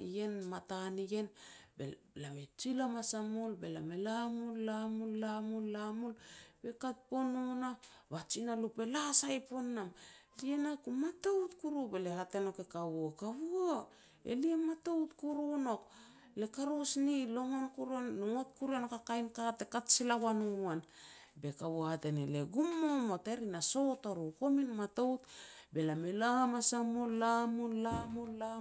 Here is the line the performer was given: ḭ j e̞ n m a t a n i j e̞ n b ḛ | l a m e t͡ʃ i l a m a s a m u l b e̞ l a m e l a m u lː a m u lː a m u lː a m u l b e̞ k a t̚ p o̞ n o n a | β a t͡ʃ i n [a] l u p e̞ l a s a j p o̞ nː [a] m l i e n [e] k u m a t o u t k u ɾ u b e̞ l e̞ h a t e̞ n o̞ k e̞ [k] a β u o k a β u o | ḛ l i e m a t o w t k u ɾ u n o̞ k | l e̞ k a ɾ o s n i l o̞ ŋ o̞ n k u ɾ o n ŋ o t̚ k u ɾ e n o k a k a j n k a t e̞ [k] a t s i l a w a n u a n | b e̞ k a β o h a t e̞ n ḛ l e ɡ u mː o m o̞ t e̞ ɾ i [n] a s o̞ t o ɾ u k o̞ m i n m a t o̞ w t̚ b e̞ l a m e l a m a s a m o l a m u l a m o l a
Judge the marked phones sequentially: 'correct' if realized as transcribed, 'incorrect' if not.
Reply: correct, correct, incorrect: a, correct, correct, correct

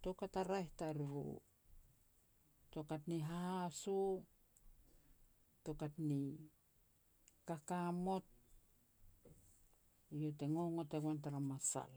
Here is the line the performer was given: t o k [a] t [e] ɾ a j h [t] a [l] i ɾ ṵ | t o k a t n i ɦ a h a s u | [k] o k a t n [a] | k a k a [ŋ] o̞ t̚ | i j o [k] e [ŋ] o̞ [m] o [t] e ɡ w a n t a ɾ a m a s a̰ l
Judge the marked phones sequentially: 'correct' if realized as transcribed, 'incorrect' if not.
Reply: correct, incorrect: a, correct, incorrect: ɾ, incorrect: t, incorrect: i, incorrect: m, incorrect: t, correct, incorrect: ŋ, correct

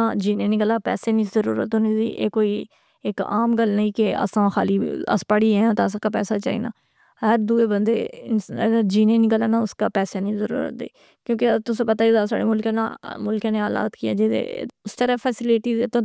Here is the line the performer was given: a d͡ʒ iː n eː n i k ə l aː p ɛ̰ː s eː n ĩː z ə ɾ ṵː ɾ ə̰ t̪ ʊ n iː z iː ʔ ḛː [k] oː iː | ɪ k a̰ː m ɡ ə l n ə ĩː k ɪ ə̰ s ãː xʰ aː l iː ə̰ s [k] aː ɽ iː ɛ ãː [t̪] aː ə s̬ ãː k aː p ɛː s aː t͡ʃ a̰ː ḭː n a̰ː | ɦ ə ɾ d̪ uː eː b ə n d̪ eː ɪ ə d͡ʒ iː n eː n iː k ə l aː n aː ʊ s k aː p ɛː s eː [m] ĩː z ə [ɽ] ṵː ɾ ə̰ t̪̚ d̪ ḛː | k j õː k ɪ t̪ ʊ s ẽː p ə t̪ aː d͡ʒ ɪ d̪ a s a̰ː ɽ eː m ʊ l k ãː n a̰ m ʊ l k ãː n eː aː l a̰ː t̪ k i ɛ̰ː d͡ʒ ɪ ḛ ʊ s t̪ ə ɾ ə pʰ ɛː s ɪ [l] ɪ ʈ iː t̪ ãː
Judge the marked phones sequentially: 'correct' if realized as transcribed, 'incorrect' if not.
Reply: correct, incorrect: p, correct, incorrect: n, incorrect: ɾ, correct

